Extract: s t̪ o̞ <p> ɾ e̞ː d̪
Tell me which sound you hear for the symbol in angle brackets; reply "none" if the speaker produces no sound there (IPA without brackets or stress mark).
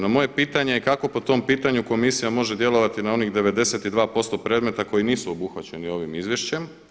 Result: p